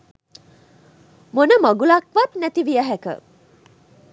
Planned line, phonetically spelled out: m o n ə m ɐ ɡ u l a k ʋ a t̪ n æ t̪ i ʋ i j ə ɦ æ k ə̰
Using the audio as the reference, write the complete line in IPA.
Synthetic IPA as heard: m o n ə m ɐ ɡ u l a k ʋ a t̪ n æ t̪ i ʋ i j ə ɦ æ k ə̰